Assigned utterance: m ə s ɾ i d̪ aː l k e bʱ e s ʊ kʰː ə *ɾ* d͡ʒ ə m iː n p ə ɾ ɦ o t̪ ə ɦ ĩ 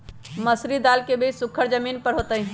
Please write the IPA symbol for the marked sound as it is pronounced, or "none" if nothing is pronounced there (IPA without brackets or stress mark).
ɾ